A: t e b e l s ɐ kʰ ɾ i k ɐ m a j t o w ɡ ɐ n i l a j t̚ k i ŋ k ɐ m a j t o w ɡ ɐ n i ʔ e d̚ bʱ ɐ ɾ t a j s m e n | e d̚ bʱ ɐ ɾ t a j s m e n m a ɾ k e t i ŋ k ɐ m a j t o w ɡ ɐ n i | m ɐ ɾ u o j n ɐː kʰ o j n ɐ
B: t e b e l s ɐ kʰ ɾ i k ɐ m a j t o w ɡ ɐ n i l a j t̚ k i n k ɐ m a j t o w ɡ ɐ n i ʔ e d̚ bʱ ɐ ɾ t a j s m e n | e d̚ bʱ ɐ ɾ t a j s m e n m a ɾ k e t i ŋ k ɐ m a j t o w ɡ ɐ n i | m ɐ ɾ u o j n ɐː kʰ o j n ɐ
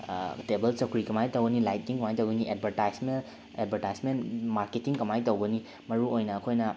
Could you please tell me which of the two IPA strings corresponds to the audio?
A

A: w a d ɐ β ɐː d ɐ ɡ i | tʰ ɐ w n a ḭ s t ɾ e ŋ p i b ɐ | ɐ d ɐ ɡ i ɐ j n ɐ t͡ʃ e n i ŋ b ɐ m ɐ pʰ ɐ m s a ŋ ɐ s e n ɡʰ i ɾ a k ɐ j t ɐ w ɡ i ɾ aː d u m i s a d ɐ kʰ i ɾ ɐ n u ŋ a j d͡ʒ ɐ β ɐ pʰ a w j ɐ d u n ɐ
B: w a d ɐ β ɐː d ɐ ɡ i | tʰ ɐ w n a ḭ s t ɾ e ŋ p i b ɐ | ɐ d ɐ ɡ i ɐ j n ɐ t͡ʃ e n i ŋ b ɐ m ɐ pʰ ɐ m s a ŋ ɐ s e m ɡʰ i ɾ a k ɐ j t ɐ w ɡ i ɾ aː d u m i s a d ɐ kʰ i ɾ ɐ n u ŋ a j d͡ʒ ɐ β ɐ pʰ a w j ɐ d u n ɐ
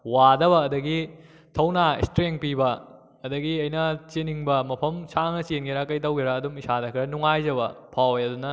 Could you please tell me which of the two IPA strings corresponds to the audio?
A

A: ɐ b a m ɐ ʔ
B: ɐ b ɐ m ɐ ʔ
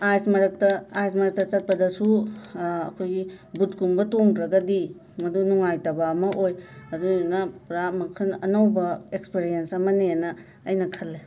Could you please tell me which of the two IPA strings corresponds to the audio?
A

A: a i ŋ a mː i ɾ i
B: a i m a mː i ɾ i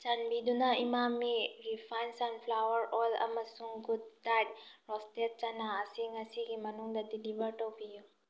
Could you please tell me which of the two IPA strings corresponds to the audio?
B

